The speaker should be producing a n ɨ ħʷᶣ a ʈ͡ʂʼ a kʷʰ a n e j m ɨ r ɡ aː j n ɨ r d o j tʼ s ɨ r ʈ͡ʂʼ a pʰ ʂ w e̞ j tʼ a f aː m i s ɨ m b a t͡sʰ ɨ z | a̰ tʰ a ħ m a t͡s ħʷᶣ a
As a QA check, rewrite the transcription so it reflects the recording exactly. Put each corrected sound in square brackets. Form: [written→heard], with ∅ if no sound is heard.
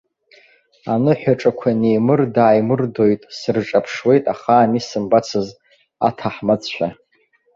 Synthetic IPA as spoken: a n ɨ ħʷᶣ a ʈ͡ʂʼ a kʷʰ a n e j m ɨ r [ɡ→d] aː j [n→m] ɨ r d o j tʼ s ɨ r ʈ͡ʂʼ a pʰ ʂ w e̞ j tʼ a [f→χ] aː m i s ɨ m b a t͡sʰ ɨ z | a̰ tʰ a ħ m a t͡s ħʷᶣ a